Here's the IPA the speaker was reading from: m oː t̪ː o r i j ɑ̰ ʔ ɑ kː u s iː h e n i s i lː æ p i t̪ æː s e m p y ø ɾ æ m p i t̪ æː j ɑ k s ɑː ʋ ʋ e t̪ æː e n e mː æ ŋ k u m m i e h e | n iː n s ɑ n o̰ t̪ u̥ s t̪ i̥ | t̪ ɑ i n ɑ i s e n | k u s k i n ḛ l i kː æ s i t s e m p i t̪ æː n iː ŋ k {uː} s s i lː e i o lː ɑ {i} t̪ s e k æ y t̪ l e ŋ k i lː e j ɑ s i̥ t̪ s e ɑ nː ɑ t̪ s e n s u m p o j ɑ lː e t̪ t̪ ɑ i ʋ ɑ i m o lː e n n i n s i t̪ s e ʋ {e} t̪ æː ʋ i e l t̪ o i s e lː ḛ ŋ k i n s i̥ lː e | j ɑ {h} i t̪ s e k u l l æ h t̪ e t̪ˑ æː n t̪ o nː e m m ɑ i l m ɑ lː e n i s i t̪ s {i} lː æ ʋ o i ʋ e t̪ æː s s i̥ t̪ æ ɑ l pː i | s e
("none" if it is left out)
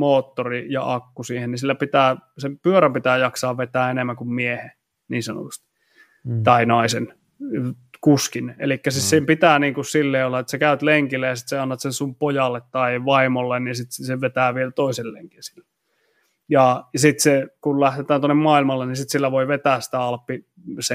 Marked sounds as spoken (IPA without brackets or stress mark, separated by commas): u, e, e, s, i